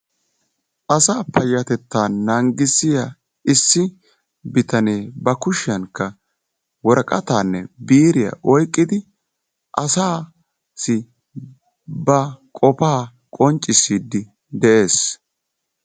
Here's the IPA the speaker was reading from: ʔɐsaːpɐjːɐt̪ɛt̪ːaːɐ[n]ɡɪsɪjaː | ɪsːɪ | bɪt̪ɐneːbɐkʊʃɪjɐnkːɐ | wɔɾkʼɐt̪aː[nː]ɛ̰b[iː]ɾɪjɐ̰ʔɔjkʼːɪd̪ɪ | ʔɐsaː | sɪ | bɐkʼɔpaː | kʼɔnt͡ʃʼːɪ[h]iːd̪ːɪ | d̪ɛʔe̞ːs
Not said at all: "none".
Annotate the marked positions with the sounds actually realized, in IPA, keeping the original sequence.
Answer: ŋ, nː, iː, s

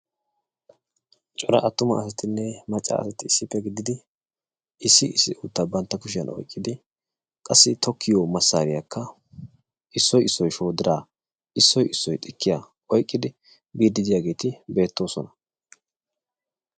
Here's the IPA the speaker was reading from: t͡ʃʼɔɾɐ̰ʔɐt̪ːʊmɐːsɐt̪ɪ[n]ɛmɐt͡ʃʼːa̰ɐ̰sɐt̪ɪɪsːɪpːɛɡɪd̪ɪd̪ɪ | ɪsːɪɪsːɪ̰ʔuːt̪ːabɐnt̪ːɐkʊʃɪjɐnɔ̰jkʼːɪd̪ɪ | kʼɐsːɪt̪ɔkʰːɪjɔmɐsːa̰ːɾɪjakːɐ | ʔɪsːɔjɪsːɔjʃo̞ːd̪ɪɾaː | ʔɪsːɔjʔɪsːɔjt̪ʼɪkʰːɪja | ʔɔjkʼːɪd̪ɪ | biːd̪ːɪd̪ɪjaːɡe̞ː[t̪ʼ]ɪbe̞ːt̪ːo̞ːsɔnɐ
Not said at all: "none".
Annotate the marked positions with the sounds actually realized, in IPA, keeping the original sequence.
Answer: nː, t̪

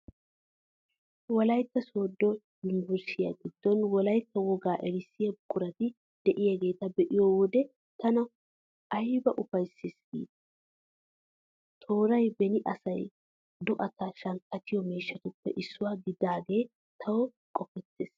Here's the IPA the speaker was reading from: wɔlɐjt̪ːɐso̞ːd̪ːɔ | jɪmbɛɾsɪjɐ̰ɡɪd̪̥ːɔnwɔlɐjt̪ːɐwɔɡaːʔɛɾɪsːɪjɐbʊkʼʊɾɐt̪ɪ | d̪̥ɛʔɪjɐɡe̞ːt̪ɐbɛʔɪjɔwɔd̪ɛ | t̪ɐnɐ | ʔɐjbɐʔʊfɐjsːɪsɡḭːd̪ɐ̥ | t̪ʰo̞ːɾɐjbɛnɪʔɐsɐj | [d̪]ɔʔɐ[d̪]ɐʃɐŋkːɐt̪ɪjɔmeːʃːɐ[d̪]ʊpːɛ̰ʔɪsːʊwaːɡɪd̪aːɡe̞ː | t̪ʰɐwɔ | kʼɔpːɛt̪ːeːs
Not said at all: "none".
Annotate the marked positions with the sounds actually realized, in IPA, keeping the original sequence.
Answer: d̪, t̪, t̪

